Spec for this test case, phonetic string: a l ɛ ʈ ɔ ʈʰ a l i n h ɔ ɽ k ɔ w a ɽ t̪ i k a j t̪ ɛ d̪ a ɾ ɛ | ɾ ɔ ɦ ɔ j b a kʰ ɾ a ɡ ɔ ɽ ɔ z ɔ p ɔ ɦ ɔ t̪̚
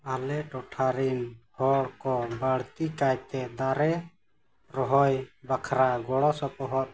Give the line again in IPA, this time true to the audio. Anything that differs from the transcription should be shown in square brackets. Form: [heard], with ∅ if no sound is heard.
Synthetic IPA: a l ɛ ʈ ɔ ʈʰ a [ɾ] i n h ɔ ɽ k ɔ [b] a ɽ t̪ i k a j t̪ ɛ d̪ a ɾ ɛ | ɾ ɔ ɦ ɔ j b a kʰ ɾ a ɡ ɔ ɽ ɔ [s] ɔ p ɔ ɦ ɔ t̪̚